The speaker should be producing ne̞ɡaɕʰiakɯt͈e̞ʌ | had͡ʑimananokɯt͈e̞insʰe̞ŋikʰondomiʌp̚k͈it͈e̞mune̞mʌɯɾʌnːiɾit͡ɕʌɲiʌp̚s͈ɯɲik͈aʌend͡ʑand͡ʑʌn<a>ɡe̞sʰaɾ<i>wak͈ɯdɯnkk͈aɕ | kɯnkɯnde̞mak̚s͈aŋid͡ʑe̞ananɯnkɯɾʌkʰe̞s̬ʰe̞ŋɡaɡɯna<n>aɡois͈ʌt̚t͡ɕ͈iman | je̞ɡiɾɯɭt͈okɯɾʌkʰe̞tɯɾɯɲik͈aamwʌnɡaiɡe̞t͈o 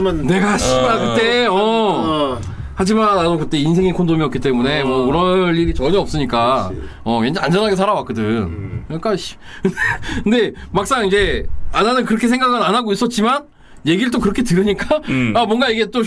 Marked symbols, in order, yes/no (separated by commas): yes, no, yes